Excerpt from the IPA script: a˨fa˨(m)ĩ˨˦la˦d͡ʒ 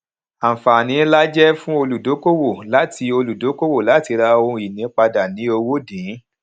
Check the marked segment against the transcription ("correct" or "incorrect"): incorrect